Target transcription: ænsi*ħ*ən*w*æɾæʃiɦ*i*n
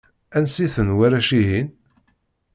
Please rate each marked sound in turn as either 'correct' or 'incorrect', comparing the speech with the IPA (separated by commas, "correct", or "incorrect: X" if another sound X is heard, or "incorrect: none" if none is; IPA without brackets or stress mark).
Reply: incorrect: θ, correct, correct